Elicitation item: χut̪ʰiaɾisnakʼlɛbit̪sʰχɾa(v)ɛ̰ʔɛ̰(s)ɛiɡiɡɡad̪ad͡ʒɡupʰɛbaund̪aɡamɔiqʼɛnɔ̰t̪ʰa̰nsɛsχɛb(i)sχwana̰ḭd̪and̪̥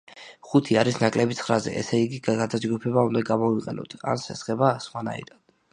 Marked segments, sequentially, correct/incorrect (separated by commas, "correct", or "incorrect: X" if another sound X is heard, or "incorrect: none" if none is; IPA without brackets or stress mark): incorrect: z, correct, incorrect: a